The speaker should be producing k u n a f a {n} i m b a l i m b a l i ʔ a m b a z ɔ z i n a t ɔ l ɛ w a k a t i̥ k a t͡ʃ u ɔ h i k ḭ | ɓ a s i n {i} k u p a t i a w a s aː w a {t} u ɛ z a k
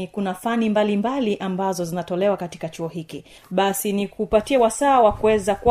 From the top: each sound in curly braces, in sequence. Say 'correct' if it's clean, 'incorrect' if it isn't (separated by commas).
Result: correct, correct, incorrect